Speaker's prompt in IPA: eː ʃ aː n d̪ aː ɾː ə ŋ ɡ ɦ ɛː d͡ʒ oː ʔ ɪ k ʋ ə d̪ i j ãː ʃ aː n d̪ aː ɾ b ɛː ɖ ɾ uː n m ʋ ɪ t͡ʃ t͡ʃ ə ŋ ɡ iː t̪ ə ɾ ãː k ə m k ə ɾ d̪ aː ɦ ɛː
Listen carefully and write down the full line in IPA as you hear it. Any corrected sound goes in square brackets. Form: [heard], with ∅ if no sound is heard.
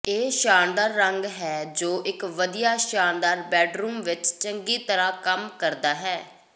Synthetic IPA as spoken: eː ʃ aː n d̪ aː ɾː ə ŋ ɡ ɦ ɛː d͡ʒ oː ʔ ɪ k ʋ ə d̪ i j [aː] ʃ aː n d̪ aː ɾ b ɛː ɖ ɾ uː [∅] m ʋ ɪ t͡ʃ t͡ʃ ə ŋ ɡ iː t̪ ə ɾ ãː k ə m k ə ɾ d̪ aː ɦ ɛː

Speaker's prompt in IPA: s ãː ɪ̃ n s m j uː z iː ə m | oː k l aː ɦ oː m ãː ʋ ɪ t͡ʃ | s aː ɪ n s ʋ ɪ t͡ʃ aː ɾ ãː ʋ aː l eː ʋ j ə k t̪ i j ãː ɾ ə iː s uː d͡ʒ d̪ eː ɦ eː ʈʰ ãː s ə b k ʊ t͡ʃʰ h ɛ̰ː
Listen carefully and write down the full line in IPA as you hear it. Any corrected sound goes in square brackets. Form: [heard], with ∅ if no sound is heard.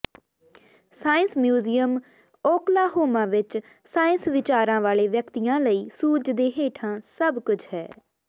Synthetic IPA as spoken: s [aː] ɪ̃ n s m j uː z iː ə m | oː k l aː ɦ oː m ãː ʋ ɪ t͡ʃ | s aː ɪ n s ʋ ɪ t͡ʃ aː ɾ ãː ʋ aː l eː ʋ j ə k t̪ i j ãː [l] ə iː s uː d͡ʒ d̪ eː ɦ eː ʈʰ ãː s ə b k ʊ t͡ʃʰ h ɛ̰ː

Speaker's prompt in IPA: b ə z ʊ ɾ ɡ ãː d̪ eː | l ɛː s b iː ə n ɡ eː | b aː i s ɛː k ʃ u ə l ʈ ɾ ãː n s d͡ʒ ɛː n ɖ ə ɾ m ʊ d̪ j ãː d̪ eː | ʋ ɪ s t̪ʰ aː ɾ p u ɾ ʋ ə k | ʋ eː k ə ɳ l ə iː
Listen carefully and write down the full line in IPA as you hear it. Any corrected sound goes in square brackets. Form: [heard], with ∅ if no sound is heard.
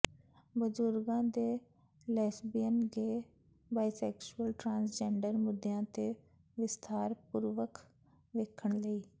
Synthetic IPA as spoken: b ə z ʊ ɾ ɡ ãː d̪ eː | l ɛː s b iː ə n ɡ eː | b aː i s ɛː k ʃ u ə l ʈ ɾ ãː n s d͡ʒ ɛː [ɳ] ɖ ə ɾ m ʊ d̪ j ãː [t̪] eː | ʋ ɪ s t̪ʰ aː ɾ p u ɾ ʋ ə k | ʋ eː [kʰ] ə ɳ l ə iː

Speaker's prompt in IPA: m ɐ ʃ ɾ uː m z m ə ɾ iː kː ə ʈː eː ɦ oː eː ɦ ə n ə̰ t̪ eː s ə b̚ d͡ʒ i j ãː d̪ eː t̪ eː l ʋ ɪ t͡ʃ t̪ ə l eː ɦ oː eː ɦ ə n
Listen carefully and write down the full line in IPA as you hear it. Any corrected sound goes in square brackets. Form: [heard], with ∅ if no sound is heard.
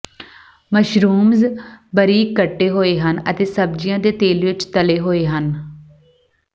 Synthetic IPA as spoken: m [ə] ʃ ɾ uː m z [b] ə ɾ iː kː ə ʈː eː ɦ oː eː ɦ ə n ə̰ t̪ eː s ə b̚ d͡ʒ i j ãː d̪ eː t̪ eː l ʋ ɪ t͡ʃ t̪ ə l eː ɦ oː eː ɦ ə n

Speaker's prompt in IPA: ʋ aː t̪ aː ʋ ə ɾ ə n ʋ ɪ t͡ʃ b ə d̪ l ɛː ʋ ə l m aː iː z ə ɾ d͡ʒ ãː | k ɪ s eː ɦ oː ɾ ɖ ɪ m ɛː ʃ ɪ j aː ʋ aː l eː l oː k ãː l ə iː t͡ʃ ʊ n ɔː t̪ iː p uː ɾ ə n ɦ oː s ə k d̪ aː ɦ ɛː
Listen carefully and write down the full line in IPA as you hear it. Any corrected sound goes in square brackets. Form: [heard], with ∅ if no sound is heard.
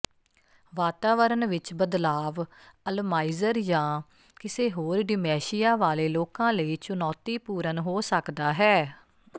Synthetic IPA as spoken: ʋ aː t̪ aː ʋ ə ɾ ə n ʋ ɪ t͡ʃ b ə d̪ l [aː] ʋ ə l m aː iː z ə ɾ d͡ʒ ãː | k ɪ s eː ɦ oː ɾ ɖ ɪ m ɛː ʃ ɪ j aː ʋ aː l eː l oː k ãː l ə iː t͡ʃ ʊ n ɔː t̪ iː p uː ɾ ə n ɦ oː s ə k d̪ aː ɦ ɛː

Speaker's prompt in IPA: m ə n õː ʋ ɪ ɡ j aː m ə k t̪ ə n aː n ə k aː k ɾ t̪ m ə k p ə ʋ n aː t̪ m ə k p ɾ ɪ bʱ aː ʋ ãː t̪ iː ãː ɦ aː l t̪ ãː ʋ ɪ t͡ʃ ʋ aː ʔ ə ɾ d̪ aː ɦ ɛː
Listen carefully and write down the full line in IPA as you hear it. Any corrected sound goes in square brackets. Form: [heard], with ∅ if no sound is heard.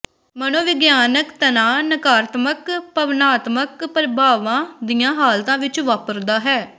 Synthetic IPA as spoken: m ə n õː ʋ ɪ ɡ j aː [n] ə k t̪ ə n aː n ə k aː [∅] ɾ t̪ m ə k p ə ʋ n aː t̪ m ə k p ɾ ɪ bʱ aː ʋ ãː [d̪] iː ãː ɦ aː l t̪ ãː ʋ ɪ t͡ʃ ʋ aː [p] ə ɾ d̪ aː ɦ ɛː

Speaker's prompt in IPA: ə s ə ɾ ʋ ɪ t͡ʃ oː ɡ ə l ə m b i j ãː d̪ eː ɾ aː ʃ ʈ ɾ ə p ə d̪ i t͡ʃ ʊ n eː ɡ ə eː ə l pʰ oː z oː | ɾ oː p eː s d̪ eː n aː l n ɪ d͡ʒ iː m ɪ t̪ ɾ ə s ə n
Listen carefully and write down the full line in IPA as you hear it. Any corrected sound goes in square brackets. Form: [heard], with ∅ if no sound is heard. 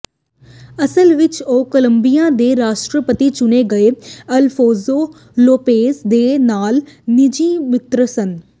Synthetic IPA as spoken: ə s ə [l] ʋ ɪ t͡ʃ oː [k] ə l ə m b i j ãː d̪ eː ɾ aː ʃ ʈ ɾ ə p ə [t̪] i t͡ʃ ʊ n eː ɡ ə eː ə l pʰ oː z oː | [l] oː p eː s d̪ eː n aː l n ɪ d͡ʒ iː m ɪ t̪ ɾ ə s ə n

